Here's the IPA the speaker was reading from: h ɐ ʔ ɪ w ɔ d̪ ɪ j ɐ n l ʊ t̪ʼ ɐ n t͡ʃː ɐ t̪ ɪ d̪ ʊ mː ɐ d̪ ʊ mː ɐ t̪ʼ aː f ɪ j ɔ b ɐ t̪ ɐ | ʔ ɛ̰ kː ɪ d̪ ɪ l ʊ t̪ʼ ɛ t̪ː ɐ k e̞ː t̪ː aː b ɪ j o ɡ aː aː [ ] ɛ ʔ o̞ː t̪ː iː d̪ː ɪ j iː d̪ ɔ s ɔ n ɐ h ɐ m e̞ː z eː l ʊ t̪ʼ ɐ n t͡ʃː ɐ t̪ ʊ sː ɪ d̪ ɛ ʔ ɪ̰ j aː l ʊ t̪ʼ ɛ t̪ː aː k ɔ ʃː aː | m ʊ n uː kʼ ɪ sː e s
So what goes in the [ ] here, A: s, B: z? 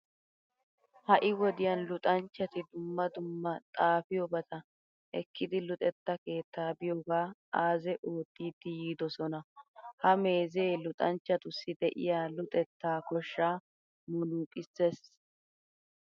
B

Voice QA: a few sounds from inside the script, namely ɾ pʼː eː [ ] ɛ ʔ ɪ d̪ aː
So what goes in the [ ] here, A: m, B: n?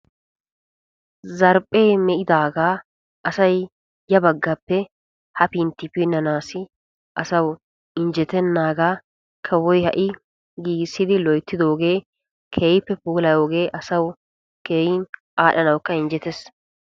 A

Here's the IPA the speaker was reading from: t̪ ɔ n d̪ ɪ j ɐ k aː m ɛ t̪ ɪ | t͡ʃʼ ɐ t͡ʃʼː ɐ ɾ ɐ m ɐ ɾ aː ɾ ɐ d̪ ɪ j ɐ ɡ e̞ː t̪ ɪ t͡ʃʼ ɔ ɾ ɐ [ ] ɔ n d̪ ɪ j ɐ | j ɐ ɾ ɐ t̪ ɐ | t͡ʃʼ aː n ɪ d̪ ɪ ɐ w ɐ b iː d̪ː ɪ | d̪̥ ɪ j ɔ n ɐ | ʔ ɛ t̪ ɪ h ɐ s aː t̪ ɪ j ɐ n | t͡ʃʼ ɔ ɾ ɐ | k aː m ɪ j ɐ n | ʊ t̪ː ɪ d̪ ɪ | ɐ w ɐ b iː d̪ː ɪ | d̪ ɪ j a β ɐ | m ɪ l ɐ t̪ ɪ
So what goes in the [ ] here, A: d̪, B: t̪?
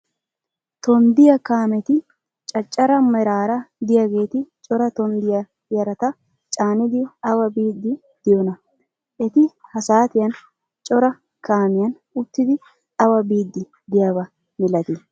B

